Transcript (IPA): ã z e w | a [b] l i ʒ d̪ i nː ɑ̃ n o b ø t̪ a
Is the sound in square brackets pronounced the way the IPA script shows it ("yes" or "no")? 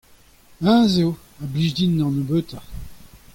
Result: yes